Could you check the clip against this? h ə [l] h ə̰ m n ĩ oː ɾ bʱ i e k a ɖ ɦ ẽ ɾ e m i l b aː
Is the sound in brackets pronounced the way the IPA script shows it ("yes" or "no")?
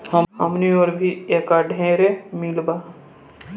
no